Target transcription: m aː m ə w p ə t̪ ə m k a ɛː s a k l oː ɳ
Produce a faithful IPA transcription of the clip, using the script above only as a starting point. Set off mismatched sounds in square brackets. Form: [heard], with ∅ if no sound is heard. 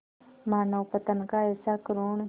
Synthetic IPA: m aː [n] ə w p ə t̪ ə [n] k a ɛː s a k [ɾ] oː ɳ